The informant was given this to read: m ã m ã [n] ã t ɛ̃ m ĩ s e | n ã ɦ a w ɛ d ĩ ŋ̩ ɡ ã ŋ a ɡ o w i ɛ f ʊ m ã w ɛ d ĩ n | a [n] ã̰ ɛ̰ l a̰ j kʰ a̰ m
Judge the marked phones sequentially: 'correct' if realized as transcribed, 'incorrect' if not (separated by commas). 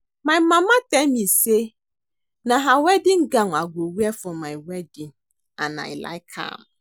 incorrect, correct